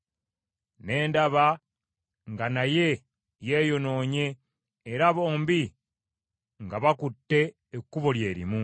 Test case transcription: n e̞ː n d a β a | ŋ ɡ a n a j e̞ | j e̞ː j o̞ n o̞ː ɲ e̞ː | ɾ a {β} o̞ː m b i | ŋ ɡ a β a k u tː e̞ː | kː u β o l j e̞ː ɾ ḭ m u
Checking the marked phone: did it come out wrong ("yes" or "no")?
no